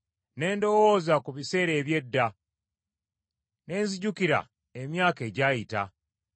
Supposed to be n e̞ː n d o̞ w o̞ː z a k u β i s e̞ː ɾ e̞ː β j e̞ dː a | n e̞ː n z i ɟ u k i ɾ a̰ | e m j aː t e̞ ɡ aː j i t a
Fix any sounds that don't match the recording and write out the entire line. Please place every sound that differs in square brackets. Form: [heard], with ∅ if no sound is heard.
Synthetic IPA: n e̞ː n d o̞ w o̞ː z a k u β i s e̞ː ɾ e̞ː β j e̞ dː a | n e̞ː n z i ɟ u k i ɾ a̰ | e m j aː [k] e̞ [ɟ] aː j i t a